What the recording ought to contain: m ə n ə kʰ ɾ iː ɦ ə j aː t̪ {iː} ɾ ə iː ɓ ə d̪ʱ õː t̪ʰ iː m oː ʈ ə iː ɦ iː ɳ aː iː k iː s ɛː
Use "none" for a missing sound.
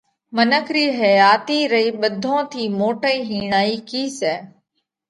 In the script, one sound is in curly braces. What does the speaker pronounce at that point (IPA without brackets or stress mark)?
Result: iː